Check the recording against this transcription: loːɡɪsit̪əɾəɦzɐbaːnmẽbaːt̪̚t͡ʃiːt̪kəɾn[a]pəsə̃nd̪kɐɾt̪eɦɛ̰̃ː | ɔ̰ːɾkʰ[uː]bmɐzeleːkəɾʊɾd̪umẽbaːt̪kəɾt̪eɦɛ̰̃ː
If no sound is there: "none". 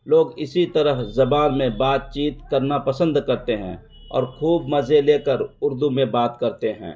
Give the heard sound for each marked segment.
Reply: a, uː

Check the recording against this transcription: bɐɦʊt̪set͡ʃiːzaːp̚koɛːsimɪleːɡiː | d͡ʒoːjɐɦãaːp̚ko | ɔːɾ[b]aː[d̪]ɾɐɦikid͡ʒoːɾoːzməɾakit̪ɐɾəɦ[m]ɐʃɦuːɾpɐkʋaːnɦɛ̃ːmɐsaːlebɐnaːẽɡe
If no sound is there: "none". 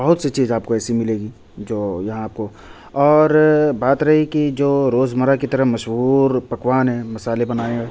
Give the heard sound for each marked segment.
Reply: b, t̪, m

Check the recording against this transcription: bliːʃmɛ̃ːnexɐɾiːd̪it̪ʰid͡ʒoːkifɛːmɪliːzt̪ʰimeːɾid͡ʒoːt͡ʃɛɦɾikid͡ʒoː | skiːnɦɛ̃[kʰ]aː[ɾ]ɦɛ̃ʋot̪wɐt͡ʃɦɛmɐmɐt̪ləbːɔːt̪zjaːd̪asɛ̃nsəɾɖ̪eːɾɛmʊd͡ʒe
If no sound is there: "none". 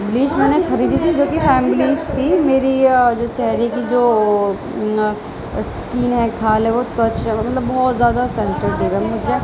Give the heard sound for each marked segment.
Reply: kʰ, l

